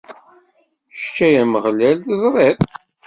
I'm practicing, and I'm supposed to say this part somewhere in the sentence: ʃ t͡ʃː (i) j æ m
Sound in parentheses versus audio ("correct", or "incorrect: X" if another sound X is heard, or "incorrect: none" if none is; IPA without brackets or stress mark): incorrect: æ